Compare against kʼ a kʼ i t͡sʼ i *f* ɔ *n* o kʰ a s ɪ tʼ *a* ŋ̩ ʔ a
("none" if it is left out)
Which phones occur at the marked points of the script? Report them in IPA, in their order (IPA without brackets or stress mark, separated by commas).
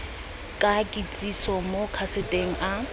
s, m, e